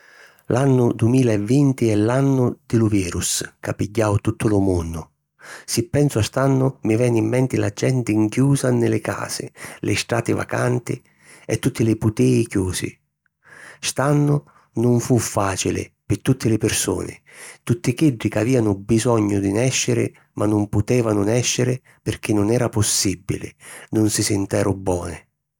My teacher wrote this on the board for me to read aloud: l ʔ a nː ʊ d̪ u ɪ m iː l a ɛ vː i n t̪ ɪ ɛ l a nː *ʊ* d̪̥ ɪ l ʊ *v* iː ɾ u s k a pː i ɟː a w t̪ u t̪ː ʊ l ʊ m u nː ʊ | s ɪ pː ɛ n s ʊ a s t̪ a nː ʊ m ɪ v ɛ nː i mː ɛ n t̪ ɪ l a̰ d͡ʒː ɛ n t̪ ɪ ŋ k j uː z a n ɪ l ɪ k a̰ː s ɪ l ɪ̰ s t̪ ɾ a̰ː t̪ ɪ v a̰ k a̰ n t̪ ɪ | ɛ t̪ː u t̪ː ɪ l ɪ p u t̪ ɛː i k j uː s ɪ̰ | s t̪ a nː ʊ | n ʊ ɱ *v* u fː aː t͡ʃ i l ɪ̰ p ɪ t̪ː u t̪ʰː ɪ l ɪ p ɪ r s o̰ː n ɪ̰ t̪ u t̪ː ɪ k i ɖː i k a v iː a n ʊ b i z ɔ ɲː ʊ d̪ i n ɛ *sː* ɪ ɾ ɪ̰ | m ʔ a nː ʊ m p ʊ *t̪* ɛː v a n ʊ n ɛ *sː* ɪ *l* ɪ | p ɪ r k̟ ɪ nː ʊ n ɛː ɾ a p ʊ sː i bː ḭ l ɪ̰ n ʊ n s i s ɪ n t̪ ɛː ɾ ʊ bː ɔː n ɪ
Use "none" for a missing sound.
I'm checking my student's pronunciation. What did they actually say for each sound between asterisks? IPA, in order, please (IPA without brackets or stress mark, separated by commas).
ʊ, v, f, ʃː, t̪, ʃː, ɾ